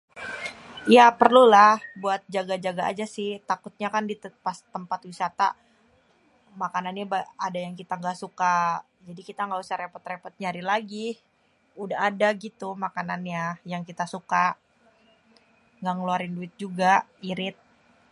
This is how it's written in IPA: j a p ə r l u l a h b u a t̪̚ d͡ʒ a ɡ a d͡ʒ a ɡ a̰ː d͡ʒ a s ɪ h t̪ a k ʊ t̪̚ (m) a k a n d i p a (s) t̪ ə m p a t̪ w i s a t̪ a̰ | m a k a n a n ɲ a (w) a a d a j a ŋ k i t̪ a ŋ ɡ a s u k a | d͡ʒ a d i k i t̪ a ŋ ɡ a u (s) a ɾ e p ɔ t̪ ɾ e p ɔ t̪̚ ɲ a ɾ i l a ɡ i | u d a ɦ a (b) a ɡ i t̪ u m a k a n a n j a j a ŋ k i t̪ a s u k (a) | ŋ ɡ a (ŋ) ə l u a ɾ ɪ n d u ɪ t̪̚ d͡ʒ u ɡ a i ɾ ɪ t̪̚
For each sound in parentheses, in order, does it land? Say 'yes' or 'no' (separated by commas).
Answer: no, yes, no, yes, no, yes, yes